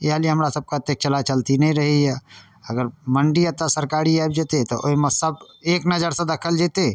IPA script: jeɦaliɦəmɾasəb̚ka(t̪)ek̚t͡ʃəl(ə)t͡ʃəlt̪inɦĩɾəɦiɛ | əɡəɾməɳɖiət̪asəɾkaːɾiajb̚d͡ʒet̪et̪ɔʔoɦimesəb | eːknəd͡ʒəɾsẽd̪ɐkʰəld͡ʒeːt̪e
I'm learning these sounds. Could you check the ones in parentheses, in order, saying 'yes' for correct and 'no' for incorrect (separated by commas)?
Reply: yes, no